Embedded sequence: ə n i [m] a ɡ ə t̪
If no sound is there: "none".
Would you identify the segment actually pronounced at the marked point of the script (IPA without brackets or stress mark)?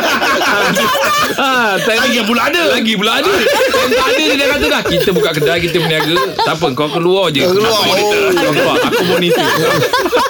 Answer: none